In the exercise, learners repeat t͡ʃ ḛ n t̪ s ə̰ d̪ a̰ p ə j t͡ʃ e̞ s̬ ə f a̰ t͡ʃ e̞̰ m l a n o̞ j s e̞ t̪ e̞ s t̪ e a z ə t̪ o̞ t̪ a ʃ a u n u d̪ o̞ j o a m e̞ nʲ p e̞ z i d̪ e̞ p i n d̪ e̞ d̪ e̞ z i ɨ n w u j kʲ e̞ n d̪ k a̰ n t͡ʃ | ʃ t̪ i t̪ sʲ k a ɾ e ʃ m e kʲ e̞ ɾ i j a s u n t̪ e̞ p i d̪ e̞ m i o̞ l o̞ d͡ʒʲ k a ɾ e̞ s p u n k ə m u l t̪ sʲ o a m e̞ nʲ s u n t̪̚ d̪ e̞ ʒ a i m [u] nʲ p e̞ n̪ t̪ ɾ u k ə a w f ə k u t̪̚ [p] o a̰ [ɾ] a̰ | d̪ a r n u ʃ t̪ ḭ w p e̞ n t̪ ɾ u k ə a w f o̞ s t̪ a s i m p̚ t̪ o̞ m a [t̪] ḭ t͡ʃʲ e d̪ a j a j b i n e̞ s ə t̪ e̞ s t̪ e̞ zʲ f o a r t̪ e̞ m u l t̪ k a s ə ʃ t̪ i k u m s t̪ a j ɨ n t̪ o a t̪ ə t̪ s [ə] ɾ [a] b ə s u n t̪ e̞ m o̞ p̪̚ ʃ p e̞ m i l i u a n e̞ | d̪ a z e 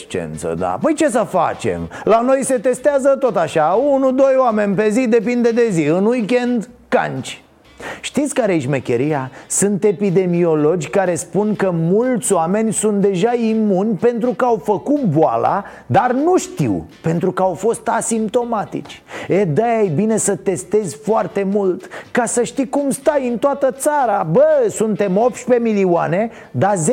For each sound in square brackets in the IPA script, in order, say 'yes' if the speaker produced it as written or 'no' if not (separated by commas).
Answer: yes, no, no, yes, no, yes